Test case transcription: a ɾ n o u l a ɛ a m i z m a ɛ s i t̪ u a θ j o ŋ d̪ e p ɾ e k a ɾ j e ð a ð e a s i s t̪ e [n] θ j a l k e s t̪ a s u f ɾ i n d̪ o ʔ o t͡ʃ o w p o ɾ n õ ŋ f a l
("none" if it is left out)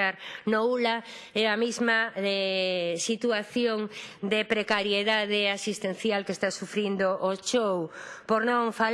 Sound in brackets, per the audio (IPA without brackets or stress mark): n